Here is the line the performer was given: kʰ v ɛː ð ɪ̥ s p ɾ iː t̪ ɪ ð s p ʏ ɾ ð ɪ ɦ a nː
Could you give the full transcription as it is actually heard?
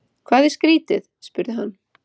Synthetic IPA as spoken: kʰ v aː ð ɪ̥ s k ɾ iː t̪ ɪ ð s p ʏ ɾ ð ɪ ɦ a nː